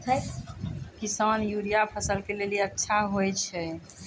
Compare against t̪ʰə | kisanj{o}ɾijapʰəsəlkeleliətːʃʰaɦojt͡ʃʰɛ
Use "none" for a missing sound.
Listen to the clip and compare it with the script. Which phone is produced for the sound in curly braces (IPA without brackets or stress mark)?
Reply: u